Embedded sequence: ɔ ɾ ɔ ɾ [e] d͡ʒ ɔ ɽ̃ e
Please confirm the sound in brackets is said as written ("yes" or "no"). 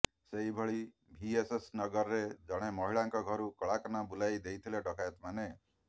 yes